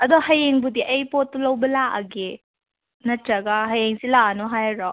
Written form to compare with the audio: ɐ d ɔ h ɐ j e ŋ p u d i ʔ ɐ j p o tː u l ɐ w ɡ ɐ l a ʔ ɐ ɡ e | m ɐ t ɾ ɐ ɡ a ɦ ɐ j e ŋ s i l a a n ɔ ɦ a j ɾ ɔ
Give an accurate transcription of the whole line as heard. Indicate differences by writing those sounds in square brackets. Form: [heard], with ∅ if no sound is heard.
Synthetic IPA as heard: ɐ d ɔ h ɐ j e ŋ [b] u d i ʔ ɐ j p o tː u l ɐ w [b] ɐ l a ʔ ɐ ɡ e | [n] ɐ t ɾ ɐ ɡ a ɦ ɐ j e ŋ s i l a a n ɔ ɦ a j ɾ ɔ